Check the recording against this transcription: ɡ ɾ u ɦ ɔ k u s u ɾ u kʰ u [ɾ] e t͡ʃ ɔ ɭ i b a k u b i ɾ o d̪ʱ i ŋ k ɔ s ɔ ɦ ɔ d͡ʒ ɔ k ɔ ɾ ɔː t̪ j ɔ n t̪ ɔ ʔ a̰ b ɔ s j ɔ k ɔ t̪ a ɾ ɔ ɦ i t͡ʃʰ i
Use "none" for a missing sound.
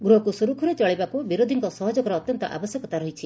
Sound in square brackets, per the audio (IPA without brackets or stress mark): ɾ